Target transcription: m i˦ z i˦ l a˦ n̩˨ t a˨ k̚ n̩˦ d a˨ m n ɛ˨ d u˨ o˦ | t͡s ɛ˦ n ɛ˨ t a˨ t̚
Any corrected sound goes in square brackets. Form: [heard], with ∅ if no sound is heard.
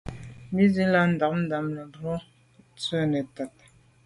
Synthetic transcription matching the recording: m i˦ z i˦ l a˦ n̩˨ [d] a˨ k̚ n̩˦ d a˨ m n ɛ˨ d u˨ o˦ | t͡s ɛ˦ n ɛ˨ t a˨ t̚